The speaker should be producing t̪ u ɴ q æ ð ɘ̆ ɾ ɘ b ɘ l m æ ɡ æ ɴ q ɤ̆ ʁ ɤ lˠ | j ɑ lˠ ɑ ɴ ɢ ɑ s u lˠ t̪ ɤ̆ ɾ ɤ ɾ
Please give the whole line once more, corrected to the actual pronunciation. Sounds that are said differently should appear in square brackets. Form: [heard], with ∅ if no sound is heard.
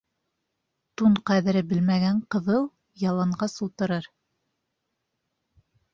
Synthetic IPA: t̪ u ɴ q æ ð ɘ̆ ɾ ɘ b ɘ l m æ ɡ æ ɴ q ɤ̆ [ð] ɤ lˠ | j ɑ lˠ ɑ ɴ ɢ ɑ s u lˠ t̪ ɤ̆ ɾ ɤ ɾ